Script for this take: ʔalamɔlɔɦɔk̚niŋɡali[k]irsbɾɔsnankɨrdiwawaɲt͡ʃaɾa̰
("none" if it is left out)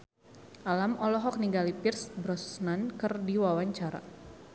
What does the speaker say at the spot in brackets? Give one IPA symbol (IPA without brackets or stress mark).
p